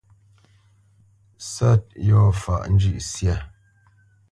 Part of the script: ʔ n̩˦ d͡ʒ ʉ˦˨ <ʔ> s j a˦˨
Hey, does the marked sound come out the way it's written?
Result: yes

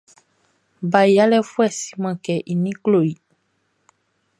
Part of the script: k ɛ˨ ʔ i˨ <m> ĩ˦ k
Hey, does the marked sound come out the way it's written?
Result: no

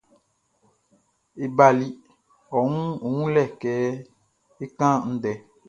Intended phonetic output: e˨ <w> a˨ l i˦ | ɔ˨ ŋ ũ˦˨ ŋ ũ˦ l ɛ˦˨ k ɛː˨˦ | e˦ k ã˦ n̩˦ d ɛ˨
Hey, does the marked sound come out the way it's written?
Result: no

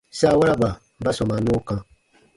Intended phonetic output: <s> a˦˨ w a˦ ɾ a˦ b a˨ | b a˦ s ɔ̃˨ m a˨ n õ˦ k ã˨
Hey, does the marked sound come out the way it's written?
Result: yes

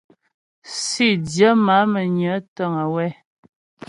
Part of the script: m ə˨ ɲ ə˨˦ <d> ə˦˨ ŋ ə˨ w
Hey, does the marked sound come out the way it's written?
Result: no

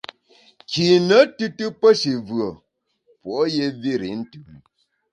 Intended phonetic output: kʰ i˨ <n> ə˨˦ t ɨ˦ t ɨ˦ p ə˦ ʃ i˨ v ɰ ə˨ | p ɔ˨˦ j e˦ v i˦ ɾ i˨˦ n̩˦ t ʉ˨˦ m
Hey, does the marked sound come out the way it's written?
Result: yes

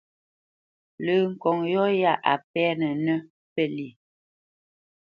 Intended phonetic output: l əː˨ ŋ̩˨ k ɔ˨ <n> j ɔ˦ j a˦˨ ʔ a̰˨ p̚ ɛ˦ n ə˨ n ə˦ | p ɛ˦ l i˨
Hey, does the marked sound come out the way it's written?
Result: no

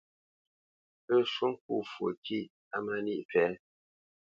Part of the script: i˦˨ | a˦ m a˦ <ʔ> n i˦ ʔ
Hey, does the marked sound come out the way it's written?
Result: no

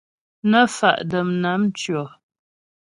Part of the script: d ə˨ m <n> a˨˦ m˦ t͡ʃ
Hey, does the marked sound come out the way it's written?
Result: yes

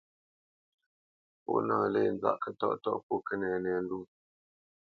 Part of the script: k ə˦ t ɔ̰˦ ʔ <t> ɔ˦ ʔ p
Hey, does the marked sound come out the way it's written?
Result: yes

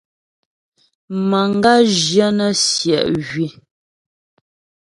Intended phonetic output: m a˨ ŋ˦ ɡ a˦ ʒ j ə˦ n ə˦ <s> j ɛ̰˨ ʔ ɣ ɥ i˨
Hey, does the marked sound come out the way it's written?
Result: yes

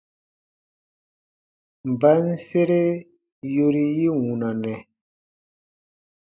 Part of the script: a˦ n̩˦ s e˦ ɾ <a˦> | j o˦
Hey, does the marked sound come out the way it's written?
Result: no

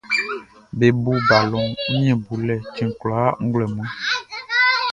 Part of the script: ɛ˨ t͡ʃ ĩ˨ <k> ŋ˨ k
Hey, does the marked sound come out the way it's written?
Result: no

